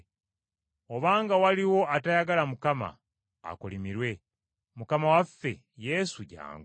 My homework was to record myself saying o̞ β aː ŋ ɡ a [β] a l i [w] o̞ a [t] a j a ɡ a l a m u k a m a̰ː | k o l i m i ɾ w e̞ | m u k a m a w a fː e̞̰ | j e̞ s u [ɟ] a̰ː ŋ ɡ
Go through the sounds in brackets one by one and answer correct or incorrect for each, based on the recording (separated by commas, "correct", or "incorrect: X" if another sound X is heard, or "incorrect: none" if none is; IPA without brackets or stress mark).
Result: incorrect: w, correct, correct, correct